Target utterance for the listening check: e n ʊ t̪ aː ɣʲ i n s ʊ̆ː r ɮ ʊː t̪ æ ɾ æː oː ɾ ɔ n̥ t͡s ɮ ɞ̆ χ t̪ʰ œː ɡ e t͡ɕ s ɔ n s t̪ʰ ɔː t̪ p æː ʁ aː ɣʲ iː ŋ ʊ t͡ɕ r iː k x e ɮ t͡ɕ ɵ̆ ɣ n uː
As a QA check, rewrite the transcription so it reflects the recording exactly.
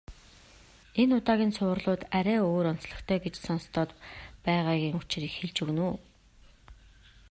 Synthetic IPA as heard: e n ʊ t̪ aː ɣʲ iː n s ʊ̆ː r ɮ ʊː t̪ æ ɾ æː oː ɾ ɔ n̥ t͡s ɮ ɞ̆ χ t̪ʰ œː ɡ e t͡ɕ s ɔ n s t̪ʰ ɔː t̪ p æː ʁ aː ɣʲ iː ŋ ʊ t͡ɕ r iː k x e ɮ t͡ɕ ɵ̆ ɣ n uː